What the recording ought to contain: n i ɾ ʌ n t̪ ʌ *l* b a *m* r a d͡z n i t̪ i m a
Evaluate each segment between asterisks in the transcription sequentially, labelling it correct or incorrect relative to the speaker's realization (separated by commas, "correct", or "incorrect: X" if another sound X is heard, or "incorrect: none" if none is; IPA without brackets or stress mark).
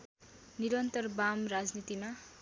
incorrect: r, correct